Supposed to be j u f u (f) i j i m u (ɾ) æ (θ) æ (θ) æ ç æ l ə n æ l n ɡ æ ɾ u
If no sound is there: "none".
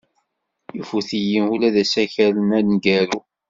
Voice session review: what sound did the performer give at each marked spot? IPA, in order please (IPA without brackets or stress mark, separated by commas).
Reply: θ, l, ð, s